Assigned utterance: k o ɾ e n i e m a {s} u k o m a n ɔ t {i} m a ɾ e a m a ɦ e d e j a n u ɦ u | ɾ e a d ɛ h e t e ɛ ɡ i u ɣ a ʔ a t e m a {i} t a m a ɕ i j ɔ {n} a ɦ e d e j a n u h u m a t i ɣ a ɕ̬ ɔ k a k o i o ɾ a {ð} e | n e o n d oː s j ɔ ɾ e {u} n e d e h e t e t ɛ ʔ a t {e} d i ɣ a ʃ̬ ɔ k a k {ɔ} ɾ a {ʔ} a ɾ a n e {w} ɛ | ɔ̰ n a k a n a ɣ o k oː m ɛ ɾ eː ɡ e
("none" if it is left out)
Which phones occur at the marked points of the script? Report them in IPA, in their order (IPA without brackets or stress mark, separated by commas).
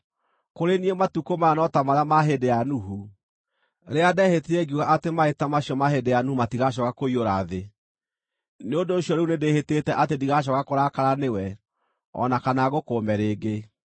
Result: t, a, e, m, ð, u, e, o, k, w